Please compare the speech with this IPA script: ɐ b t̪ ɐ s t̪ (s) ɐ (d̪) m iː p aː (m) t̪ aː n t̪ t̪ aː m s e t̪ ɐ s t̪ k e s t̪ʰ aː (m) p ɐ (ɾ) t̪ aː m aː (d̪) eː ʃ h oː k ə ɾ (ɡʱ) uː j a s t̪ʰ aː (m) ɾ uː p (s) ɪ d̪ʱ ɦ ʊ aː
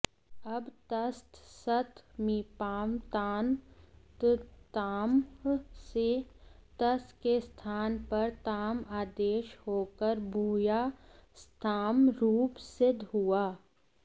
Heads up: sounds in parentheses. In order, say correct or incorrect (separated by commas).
correct, incorrect, correct, incorrect, correct, correct, incorrect, correct, correct